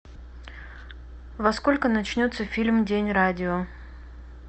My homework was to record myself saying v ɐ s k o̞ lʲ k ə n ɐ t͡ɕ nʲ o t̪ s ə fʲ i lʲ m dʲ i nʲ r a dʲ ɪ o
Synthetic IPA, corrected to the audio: v ɐ s k o̞ lʲ k ə n ɐ t͡ɕ nʲ o t̪ s ə fʲ i lʲ m dʲ e nʲ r a dʲ ɪ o